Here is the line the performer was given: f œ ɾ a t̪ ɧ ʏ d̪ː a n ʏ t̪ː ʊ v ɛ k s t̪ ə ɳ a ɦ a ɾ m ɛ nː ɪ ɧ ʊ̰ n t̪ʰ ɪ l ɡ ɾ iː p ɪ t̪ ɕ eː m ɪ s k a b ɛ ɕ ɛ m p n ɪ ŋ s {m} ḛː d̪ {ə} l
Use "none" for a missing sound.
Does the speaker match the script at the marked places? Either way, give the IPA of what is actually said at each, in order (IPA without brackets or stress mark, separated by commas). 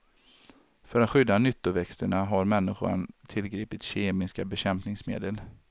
m, ə